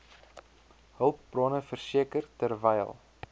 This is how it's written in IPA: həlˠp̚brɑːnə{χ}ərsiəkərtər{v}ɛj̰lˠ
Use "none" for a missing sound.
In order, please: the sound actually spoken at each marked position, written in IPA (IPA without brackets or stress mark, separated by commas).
f, v